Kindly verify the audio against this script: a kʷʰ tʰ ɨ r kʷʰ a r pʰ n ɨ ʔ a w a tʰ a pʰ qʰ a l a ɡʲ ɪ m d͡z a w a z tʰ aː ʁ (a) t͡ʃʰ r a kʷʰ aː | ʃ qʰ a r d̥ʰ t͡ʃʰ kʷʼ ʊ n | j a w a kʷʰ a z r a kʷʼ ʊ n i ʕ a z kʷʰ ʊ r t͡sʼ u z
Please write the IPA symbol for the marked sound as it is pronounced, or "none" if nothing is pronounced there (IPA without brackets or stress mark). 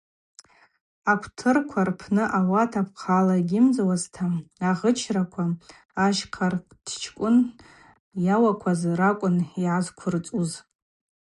ə